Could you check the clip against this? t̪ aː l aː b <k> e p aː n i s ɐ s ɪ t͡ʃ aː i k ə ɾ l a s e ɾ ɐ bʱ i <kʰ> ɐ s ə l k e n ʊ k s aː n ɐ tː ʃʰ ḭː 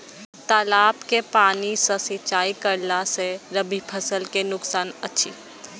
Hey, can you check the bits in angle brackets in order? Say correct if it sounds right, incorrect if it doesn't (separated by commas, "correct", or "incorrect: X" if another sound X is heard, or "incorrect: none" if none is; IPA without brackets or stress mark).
correct, incorrect: pʰ